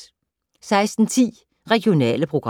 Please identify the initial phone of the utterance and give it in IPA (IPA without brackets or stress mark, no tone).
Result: s